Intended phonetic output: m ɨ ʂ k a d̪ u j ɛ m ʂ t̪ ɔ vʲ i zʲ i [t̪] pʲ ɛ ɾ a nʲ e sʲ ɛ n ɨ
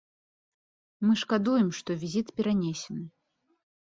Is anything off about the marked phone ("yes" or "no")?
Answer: no